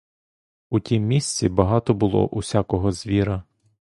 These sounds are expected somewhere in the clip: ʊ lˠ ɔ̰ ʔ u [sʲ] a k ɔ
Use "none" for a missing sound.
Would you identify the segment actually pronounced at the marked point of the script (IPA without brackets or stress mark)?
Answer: sʲ